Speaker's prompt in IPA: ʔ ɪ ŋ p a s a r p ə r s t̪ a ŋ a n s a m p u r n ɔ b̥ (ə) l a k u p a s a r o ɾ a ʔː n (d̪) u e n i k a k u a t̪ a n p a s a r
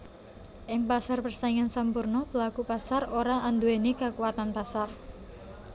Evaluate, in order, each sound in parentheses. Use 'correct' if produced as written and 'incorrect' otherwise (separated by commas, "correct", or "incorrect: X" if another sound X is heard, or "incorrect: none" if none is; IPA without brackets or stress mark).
correct, correct